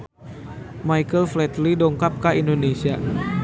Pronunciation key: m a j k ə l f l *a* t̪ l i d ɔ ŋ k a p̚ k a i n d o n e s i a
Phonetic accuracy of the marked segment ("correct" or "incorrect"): incorrect